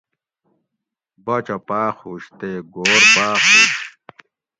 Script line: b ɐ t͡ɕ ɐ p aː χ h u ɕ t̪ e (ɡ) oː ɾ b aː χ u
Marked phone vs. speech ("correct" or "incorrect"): correct